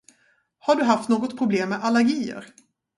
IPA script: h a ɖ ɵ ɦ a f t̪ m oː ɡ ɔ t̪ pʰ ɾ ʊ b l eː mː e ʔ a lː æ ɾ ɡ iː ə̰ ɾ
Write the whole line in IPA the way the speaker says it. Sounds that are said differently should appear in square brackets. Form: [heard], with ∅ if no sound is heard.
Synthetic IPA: h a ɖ ɵ ɦ a f t̪ [n] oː ɡ ɔ t̪ pʰ ɾ ʊ b l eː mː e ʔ a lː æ ɾ ɡ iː ə̰ ɾ